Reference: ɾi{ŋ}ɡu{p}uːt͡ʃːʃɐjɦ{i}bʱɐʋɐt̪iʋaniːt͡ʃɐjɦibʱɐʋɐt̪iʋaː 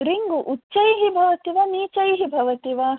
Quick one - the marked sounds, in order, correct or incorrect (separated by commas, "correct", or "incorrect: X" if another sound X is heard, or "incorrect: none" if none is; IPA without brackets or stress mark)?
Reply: correct, incorrect: ʔ, correct